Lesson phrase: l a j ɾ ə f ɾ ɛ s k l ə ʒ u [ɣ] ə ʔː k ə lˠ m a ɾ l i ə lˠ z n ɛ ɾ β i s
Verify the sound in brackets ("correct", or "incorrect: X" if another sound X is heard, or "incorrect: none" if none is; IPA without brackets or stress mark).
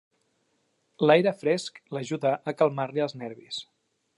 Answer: incorrect: ð